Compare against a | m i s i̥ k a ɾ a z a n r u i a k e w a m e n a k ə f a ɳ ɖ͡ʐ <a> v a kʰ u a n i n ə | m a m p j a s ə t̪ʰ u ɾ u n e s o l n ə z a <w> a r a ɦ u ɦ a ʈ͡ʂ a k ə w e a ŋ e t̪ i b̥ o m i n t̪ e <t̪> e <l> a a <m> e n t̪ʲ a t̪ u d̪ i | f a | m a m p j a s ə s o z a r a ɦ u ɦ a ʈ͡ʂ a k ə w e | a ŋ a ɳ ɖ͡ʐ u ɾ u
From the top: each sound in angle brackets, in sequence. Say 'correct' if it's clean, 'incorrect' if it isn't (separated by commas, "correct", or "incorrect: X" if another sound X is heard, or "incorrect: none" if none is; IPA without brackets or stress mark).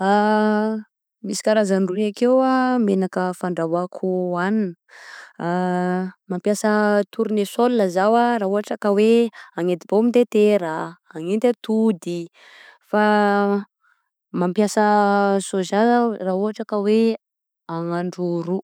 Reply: correct, correct, correct, incorrect: ɾ, incorrect: ŋ